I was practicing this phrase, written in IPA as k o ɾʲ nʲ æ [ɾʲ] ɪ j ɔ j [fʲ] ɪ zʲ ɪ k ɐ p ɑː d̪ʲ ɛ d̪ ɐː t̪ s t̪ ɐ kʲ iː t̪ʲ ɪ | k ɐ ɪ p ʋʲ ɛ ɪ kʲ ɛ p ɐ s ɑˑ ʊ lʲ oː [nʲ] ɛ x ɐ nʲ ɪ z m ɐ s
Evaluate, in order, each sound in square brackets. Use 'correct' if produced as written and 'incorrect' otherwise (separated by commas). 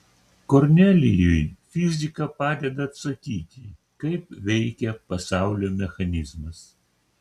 incorrect, correct, incorrect